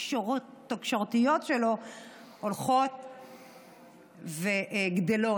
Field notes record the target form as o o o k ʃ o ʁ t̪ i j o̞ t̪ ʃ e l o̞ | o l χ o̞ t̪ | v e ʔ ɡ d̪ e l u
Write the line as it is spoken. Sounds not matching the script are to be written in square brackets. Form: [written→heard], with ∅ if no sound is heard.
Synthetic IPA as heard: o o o k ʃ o ʁ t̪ i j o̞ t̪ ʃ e l o̞ | o l χ o̞ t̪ | v e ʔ ɡ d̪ e l [u→o]

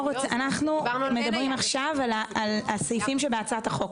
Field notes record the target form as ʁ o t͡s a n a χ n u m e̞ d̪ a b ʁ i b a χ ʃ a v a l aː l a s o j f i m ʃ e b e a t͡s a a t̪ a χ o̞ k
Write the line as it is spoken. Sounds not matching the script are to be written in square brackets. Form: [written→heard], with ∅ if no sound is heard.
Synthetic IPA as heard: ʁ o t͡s a n a χ n u m e̞ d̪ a b ʁ i [b→m] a χ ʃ a v a l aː l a s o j f i m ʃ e b e a t͡s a a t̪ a χ o̞ k

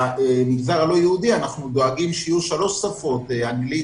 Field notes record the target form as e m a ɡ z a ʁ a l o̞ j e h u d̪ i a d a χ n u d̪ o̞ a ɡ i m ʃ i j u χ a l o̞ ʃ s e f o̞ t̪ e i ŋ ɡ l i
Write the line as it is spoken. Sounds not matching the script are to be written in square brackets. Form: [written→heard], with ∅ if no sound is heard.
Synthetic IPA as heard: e m [a→i] ɡ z a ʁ a l o̞ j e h u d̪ i a [d→n] a χ n u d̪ o̞ a ɡ i m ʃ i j u [χ→ʃ] a l o̞ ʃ s [e→a] f o̞ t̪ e [i→a] ŋ ɡ l i

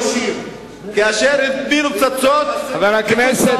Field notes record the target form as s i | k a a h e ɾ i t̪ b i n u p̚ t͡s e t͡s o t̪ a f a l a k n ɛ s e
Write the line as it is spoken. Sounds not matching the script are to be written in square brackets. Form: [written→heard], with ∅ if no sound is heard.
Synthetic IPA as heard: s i | k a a [h→ʃ] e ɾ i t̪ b i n u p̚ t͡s [e→a] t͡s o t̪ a [f→v] a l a k n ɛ s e

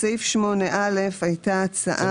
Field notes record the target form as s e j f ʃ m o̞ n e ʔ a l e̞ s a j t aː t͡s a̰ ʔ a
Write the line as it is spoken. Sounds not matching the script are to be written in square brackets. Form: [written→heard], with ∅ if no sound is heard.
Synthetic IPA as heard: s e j f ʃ m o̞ n e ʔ a l e̞ [s→f] a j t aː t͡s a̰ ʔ a

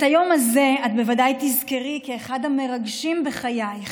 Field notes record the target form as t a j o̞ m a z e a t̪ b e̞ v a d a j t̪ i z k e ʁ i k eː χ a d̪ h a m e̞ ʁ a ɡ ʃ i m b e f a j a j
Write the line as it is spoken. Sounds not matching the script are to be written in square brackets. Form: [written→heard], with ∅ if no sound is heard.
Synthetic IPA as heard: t a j o̞ m a z e a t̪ b e̞ v a d a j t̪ i z k e ʁ i k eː χ a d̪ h a m e̞ ʁ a ɡ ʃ i m b e [f→χ] a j a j

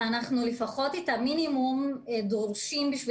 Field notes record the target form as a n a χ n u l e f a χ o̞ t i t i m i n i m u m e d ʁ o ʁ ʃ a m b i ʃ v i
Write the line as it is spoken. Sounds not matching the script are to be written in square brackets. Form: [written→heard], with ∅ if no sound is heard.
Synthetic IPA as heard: a n a χ n u l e f a χ o̞ t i t [i→a] m i n i m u m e d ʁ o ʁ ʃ [a→i] m b i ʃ v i

